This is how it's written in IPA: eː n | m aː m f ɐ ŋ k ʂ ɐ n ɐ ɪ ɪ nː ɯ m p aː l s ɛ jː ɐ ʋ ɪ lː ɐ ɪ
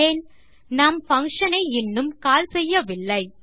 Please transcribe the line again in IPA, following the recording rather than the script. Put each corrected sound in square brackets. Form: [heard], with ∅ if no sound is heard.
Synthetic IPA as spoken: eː n | [n] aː m f ɐ ŋ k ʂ ɐ n ɐ ɪ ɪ nː ɯ m [k] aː l s ɛ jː ɐ ʋ ɪ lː ɐ ɪ